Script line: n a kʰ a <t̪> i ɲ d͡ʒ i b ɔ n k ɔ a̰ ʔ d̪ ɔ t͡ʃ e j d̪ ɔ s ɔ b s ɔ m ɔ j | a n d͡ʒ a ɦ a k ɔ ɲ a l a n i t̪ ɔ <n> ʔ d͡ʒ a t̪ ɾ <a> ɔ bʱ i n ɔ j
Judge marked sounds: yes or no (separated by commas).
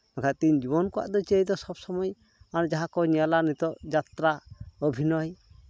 yes, no, yes